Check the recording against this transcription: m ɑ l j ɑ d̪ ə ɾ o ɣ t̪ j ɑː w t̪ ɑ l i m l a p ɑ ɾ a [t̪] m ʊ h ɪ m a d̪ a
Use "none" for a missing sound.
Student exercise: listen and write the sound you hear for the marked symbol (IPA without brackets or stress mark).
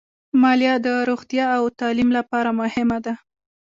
none